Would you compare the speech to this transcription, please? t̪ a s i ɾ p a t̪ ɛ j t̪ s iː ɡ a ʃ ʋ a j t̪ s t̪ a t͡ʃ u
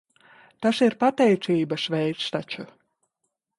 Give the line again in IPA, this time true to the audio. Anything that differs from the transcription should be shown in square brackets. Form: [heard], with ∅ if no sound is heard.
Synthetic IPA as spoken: t̪ a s i ɾ p a t̪ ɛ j t̪ s iː [b] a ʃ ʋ [ɛ] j t̪ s t̪ a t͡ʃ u